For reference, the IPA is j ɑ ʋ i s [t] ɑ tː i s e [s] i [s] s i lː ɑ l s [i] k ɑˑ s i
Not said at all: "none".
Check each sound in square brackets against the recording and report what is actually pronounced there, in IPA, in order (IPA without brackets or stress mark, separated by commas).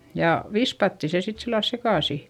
p, s, t, e